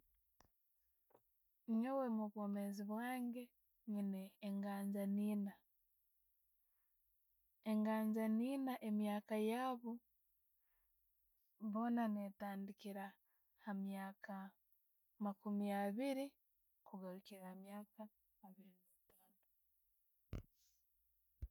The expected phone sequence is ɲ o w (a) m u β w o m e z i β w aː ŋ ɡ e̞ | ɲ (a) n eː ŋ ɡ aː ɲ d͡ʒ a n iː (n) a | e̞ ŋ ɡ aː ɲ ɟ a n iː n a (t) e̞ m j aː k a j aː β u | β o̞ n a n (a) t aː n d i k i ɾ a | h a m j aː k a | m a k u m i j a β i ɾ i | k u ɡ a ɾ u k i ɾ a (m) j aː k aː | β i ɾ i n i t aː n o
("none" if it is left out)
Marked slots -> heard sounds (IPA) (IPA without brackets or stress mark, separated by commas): e, i, n, ʔ, e, m